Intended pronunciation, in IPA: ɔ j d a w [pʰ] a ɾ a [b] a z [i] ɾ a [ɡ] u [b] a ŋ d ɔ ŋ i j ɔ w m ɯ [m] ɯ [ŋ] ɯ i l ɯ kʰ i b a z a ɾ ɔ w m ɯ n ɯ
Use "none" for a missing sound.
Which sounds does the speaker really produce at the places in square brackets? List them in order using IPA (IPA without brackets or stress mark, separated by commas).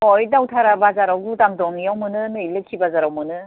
tʰ, b, a, ɡ, d, n, n